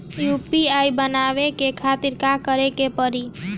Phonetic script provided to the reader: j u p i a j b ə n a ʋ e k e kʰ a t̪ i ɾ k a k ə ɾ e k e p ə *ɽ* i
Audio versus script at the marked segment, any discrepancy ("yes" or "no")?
yes